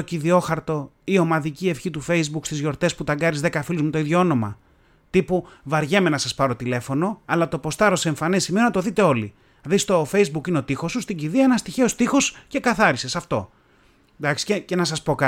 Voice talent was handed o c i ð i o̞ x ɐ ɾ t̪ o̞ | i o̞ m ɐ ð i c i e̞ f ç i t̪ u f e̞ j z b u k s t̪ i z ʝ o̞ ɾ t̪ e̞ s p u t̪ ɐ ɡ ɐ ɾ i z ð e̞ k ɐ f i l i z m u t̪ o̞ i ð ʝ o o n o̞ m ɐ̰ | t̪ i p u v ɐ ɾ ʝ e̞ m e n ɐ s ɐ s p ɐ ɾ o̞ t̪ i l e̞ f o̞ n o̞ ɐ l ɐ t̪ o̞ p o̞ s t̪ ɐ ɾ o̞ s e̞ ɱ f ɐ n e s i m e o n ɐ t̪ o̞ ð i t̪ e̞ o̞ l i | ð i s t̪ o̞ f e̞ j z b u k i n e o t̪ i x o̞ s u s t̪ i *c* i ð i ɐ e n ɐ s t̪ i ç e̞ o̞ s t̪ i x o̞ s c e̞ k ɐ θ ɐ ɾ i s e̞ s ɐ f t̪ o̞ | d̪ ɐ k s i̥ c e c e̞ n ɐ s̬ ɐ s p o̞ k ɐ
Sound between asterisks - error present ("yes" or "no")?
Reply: yes